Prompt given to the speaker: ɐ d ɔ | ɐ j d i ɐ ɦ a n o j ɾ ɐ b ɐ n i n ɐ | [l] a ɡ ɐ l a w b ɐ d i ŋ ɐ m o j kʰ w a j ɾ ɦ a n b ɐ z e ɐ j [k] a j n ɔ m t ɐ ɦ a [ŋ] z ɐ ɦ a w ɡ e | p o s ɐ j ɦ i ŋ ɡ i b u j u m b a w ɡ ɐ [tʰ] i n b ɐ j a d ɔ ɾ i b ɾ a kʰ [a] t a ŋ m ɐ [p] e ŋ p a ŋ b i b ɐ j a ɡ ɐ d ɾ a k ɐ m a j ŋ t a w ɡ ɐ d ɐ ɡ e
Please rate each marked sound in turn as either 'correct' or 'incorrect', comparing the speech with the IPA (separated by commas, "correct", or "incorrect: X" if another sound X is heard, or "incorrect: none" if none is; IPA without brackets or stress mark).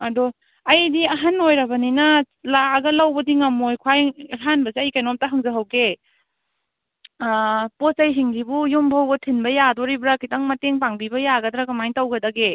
correct, correct, correct, correct, incorrect: i, incorrect: t